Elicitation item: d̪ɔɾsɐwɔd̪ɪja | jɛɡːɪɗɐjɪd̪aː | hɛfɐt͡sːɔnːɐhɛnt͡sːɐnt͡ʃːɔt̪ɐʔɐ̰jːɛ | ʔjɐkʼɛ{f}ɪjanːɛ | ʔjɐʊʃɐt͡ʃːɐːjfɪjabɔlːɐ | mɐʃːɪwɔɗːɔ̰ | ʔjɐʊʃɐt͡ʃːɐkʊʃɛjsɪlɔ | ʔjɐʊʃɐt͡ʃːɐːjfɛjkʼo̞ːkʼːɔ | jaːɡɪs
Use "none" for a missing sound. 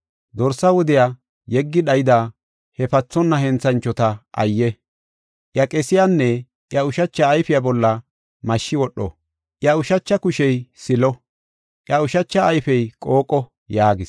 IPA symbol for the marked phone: s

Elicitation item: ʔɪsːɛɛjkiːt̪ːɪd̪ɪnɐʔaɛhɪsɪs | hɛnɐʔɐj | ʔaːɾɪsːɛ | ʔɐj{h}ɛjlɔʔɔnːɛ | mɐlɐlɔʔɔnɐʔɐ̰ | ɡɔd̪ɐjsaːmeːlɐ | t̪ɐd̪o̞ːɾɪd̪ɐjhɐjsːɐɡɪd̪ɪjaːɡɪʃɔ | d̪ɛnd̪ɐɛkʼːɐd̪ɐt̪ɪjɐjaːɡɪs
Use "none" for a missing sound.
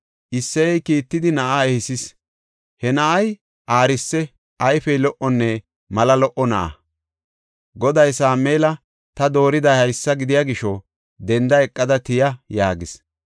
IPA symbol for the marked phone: f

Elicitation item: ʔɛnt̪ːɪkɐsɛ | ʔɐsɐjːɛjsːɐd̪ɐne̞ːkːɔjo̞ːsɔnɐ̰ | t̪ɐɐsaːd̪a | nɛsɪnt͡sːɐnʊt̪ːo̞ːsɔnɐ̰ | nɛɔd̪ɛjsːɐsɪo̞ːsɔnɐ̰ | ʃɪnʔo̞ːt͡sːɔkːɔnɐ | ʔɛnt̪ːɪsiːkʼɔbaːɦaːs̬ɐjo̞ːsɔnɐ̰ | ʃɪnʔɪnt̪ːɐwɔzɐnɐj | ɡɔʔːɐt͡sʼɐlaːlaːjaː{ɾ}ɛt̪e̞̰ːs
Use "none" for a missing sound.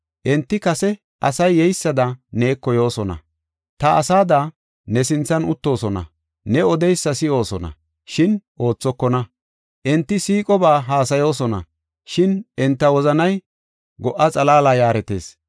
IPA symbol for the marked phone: ɾ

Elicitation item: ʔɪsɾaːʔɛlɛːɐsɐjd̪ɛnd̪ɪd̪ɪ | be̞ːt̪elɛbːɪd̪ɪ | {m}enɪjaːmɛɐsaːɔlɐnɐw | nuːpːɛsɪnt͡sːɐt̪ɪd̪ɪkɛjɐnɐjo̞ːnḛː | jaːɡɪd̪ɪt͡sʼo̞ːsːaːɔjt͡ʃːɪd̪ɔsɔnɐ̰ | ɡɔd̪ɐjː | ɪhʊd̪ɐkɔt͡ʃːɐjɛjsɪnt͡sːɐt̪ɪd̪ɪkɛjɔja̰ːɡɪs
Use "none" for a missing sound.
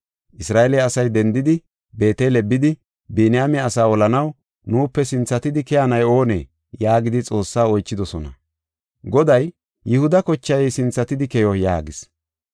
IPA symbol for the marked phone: b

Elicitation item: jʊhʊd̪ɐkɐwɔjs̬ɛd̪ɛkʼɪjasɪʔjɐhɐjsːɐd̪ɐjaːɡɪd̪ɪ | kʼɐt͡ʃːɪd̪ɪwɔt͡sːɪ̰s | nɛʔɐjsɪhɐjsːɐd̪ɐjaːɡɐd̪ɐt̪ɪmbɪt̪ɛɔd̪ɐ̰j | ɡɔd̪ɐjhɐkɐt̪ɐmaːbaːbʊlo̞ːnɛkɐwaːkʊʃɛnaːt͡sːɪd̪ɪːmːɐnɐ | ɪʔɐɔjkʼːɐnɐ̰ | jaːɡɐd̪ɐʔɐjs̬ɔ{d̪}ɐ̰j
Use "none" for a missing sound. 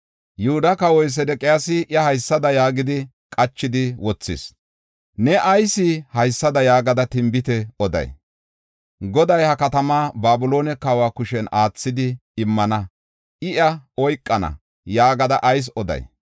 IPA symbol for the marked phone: d̪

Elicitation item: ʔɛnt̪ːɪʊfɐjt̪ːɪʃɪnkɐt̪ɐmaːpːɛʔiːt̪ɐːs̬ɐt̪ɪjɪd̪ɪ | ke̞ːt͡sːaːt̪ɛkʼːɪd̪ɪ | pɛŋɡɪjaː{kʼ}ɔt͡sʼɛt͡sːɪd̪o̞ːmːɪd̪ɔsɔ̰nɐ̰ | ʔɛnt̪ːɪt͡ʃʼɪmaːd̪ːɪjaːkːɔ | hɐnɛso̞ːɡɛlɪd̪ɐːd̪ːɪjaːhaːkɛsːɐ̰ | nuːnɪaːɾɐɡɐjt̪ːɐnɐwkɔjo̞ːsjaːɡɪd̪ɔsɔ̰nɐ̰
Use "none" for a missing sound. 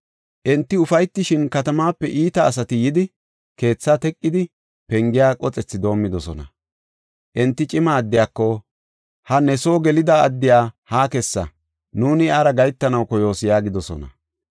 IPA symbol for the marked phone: kʼ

